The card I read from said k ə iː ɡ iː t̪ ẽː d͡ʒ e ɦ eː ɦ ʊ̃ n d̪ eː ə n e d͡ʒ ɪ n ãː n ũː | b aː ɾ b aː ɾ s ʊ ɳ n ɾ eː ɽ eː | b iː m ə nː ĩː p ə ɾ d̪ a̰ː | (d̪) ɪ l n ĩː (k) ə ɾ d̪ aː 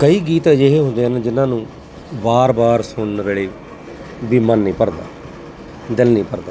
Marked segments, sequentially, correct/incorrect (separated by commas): correct, incorrect